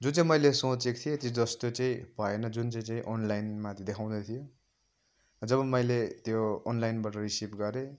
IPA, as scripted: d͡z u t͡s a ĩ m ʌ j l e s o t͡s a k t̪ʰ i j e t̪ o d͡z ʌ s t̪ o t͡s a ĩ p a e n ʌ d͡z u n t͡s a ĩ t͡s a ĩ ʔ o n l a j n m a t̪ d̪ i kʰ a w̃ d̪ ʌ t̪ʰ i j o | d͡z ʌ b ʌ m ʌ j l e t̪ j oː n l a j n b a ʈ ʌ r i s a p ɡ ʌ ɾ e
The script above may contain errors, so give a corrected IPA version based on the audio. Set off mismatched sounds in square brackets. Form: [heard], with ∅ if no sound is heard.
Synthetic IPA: d͡z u t͡s a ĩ m ʌ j l e s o t͡s [e] k t̪ʰ i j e t̪ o d͡z ʌ s t̪ o t͡s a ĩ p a e n ʌ d͡z u n t͡s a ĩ t͡s a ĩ ʔ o n l a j n m a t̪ d̪ [e] kʰ a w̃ d̪ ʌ t̪ʰ i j o | d͡z ʌ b ʌ m ʌ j l e t̪ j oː n l a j n b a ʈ ʌ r i s [i] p ɡ ʌ ɾ e